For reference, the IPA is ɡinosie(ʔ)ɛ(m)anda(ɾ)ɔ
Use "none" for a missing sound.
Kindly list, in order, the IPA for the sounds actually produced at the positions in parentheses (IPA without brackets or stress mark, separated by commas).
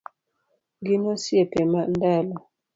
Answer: p, m, l